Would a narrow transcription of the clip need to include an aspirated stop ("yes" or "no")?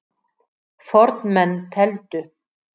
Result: yes